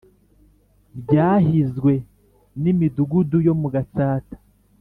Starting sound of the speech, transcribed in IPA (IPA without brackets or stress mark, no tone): b